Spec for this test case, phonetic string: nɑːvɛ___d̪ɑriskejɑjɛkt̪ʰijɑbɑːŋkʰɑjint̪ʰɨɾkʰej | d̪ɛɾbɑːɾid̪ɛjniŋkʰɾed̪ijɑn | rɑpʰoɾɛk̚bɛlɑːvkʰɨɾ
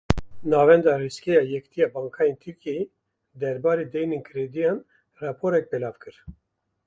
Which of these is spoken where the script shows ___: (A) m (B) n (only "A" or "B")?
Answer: B